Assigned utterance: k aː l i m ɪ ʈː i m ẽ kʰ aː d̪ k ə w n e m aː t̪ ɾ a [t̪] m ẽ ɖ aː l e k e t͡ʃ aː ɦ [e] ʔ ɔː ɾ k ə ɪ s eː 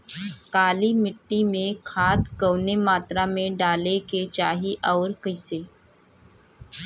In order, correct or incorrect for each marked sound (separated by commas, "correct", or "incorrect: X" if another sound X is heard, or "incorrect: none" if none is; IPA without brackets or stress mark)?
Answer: incorrect: none, incorrect: i